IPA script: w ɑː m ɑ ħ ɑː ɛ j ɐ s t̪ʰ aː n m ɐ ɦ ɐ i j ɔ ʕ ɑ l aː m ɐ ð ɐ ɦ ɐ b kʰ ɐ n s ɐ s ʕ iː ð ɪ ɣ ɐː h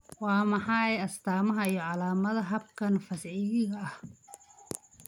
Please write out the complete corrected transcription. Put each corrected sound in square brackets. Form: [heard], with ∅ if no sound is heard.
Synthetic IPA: w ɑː m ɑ ħ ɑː ɛ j ɐ s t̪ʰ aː [∅] m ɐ ɦ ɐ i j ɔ ʕ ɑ l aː m ɐ ð ɐ ɦ ɐ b kʰ ɐ n [f] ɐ s ʕ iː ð ɪ ɣ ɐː h